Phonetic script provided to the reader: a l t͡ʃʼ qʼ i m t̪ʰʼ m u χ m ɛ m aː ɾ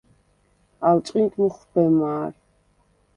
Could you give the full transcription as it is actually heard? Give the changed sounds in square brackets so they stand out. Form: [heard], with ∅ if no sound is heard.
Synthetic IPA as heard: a l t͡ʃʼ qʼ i [n] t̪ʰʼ m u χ [b] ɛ m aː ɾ